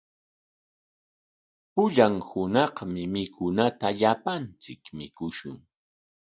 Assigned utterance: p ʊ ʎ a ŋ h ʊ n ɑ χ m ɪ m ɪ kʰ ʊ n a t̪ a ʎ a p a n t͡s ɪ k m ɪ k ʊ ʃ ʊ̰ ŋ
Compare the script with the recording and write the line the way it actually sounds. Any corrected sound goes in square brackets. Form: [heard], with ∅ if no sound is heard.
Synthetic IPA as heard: p ʊ ʎ a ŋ h ʊ n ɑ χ m ɪ m ɪ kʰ ʊ n a t̪ a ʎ a p a n t͡s ɪ k m ɪ k ʊ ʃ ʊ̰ ŋ